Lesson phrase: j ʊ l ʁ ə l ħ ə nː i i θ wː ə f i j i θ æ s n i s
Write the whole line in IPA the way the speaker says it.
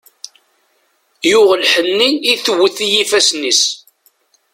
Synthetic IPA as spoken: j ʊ ʁ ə l ħ ə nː i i θ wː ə θ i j i f æ s n i s